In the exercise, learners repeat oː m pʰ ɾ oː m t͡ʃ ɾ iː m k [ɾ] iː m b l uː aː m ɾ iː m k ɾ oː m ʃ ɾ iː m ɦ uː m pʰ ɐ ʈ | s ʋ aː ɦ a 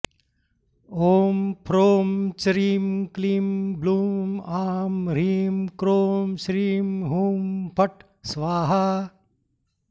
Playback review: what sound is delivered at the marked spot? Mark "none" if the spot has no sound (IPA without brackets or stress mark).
l